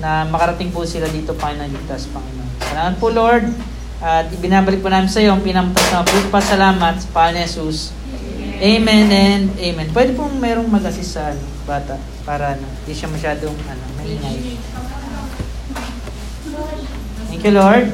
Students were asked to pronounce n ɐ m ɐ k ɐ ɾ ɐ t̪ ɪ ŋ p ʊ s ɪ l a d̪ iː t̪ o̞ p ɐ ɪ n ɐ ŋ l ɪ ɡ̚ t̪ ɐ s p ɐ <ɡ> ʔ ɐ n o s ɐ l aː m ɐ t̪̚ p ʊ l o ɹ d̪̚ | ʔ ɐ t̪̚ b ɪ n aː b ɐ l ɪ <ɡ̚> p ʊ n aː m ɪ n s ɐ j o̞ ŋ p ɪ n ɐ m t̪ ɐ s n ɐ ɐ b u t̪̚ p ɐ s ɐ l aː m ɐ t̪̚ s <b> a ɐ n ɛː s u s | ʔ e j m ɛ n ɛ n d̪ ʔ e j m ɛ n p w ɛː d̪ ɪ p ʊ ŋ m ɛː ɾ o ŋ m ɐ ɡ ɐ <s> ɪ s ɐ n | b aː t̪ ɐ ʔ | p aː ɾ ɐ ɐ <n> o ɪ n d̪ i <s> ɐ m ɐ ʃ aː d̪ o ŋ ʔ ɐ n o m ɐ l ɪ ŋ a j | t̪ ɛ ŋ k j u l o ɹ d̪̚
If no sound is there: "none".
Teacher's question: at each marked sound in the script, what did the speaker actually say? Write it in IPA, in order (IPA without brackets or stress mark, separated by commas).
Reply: ŋ, k̚, p, s, n, ʃ